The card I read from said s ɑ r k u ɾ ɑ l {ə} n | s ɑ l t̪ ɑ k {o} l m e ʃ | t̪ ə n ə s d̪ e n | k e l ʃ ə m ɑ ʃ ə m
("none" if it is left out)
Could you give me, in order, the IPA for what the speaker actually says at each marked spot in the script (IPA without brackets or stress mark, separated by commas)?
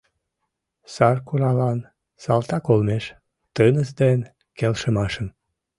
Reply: ɑ, o